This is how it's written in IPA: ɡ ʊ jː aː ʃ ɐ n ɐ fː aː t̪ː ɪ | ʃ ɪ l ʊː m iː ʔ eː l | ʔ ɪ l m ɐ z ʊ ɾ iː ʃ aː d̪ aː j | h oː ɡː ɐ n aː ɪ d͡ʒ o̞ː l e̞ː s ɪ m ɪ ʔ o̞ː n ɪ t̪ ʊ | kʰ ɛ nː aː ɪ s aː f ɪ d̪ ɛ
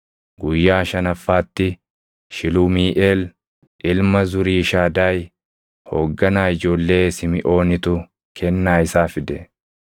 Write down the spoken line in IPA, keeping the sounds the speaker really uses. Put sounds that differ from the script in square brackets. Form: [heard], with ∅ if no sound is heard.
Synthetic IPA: ɡ ʊ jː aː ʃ ɐ n ɐ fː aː t̪ː ɪ | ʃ ɪ l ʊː m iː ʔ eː l | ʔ ɪ l m ɐ z ʊ ɾ iː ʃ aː d̪ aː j | h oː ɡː ɐ n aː ɪ d͡ʒ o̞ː [lː] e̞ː s ɪ m ɪ ʔ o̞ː n ɪ t̪ ʊ | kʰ ɛ nː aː ɪ s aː f ɪ d̪ ɛ

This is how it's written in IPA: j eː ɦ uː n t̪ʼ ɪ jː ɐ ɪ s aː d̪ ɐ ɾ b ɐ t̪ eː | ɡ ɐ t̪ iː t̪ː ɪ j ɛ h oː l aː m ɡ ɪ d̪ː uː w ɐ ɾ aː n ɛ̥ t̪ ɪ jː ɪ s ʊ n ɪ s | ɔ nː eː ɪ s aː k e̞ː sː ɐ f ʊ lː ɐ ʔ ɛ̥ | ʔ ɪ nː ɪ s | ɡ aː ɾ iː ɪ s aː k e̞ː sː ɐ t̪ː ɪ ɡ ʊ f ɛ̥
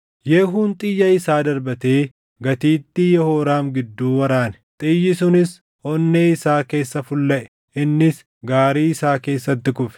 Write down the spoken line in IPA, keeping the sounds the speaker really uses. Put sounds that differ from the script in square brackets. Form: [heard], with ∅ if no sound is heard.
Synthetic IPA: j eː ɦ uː n t̪ʼ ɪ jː ɐ ɪ s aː d̪ ɐ ɾ b ɐ t̪ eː | ɡ ɐ t̪ iː t̪ː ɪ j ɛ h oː [ɾ] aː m ɡ ɪ d̪ː uː w ɐ ɾ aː n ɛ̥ [t̪ʼ] ɪ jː ɪ s ʊ n ɪ s | ɔ nː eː ɪ s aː k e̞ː sː ɐ f ʊ lː ɐ ʔ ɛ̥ | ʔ ɪ nː ɪ s | ɡ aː ɾ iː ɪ s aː k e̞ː sː ɐ t̪ː ɪ [k] ʊ f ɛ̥

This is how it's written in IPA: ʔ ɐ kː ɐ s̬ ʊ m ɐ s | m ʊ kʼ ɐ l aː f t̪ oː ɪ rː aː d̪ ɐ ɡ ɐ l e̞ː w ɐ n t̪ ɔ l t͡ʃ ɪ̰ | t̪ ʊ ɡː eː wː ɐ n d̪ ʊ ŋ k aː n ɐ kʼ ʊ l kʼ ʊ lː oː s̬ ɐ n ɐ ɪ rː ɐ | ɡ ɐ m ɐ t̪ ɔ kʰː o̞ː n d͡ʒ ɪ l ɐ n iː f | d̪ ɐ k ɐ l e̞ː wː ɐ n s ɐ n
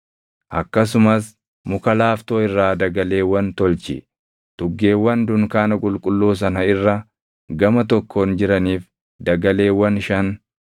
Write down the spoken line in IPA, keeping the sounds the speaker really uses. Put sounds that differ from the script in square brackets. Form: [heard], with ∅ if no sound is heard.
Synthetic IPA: ʔ ɐ kː ɐ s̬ ʊ m ɐ s | m ʊ [k] ɐ l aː f t̪ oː ɪ rː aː d̪ ɐ ɡ ɐ l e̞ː w ɐ n t̪ ɔ l t͡ʃ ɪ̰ | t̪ ʊ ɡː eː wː ɐ n d̪ ʊ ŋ k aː n ɐ kʼ ʊ l kʼ ʊ lː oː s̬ ɐ n ɐ ɪ rː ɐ | ɡ ɐ m ɐ t̪ ɔ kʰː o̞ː n d͡ʒ ɪ [ɾ] ɐ n iː f | d̪ ɐ [ɡ] ɐ l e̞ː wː ɐ n [ʃ] ɐ n

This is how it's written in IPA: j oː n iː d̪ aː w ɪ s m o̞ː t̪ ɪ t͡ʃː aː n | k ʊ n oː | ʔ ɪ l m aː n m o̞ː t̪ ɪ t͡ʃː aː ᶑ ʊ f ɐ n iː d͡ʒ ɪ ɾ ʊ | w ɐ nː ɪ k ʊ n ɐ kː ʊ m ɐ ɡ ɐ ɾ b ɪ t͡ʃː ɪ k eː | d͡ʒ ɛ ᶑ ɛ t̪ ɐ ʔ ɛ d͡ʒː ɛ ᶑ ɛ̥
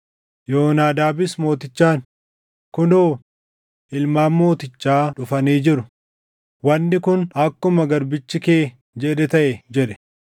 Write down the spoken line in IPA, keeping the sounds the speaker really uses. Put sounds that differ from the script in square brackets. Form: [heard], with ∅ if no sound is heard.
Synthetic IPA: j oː n [aː] d̪ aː [b] ɪ s m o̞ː t̪ ɪ t͡ʃː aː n | k ʊ n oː | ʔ ɪ l m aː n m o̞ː t̪ ɪ t͡ʃː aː ᶑ ʊ f ɐ n iː d͡ʒ ɪ ɾ ʊ | w ɐ nː ɪ k ʊ n ɐ kː ʊ m ɐ ɡ ɐ ɾ b ɪ t͡ʃː ɪ k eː | d͡ʒ ɛ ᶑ ɛ t̪ ɐ ʔ ɛ [d͡ʒ] ɛ ᶑ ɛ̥

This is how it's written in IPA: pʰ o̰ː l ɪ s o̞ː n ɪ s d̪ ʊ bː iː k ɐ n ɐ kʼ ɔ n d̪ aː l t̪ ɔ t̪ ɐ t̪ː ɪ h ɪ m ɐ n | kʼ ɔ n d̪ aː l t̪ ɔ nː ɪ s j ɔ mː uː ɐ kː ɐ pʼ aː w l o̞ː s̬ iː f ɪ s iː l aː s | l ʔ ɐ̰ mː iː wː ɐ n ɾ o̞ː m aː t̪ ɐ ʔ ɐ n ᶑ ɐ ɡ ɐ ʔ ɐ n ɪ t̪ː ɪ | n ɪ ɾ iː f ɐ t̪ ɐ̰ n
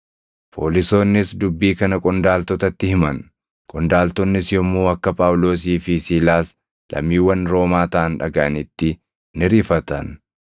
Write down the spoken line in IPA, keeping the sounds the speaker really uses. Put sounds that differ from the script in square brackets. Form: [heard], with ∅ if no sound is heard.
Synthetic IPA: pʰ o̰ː l ɪ s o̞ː [nː] ɪ s d̪ ʊ bː iː k ɐ n ɐ kʼ ɔ n d̪ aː l t̪ ɔ t̪ ɐ t̪ː ɪ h ɪ m ɐ n | kʼ ɔ n d̪ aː l t̪ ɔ nː ɪ s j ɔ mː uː ɐ kː ɐ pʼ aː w l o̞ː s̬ iː f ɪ s iː l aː s | l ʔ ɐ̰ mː iː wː ɐ n ɾ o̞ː m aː t̪ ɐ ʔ ɐ n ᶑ ɐ ɡ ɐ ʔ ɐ n ɪ t̪ː ɪ | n ɪ ɾ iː f ɐ t̪ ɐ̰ n

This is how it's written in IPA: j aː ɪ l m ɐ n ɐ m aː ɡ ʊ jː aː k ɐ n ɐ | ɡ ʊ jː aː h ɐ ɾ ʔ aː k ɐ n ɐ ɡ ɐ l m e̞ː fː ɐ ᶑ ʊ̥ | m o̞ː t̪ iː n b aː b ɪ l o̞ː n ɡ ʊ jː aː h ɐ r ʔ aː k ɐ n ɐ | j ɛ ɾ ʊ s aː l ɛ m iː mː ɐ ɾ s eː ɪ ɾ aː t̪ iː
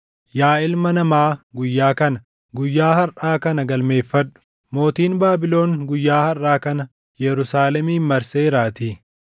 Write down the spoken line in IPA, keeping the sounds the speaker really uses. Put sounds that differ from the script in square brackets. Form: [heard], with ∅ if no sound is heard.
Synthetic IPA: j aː ɪ l m ɐ n ɐ m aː ɡ ʊ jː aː k ɐ n ɐ | ɡ ʊ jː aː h ɐ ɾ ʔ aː k ɐ n ɐ ɡ ɐ l m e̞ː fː ɐ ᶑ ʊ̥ | m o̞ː t̪ iː n b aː b ɪ l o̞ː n ɡ ʊ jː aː h ɐ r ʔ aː k ɐ n ɐ | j ɛ ɾ ʊ s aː l ɛ m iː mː ɐ ɾ s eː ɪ ɾ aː t̪ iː

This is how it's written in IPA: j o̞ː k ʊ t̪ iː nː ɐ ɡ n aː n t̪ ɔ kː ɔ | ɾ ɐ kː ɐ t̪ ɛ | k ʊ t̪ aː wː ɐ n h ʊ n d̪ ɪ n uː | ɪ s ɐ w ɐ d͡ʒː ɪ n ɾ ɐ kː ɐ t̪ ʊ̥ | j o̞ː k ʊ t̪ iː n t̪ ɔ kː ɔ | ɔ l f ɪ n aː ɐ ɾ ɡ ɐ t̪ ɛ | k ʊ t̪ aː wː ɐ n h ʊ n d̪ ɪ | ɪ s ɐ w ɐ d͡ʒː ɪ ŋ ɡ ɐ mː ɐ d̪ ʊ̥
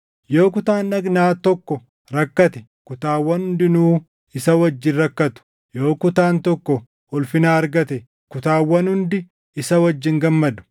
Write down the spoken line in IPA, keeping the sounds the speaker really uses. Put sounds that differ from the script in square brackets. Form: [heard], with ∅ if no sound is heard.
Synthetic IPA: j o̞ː k ʊ t̪ [aː] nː ɐ ɡ n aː [∅] t̪ ɔ kː ɔ | ɾ ɐ kː ɐ t̪ ɛ | k ʊ t̪ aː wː ɐ n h ʊ n d̪ ɪ n uː | ɪ s ɐ w ɐ d͡ʒː ɪ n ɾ ɐ kː ɐ t̪ ʊ̥ | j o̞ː k ʊ t̪ [aː] n t̪ ɔ kː ɔ | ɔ l f ɪ n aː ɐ ɾ ɡ ɐ t̪ ɛ | k ʊ t̪ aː wː ɐ n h ʊ n d̪ ɪ | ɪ s ɐ w ɐ d͡ʒː ɪ ŋ ɡ ɐ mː ɐ d̪ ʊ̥

